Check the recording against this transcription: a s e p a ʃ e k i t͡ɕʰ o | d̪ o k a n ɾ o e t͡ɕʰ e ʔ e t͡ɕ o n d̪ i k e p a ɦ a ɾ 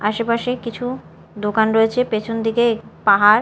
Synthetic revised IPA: a ʃ e p a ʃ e k i t͡ɕʰ u | d̪ o k a n ɾ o e t͡ɕʰ e p e t͡ɕʰ o n d̪ i k e p a ɦ a ɾ